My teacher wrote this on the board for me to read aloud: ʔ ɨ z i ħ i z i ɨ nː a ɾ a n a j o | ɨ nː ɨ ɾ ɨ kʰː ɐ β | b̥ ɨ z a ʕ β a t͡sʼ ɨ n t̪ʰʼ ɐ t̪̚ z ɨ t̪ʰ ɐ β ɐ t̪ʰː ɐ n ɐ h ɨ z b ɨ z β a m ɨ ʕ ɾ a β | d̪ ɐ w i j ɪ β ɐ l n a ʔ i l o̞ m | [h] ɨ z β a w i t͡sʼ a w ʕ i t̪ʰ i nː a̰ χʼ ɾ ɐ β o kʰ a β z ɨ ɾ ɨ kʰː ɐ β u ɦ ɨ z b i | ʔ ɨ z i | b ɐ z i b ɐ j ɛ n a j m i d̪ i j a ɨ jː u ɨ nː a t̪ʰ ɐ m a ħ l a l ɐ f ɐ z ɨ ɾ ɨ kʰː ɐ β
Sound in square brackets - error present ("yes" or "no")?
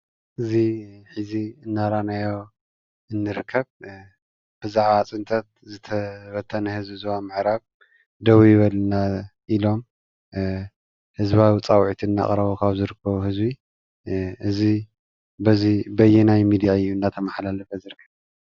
no